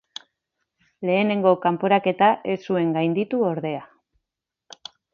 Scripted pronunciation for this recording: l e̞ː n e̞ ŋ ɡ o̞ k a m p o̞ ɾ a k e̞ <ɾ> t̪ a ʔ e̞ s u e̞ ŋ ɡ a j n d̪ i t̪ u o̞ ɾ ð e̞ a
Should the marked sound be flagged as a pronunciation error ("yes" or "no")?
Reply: yes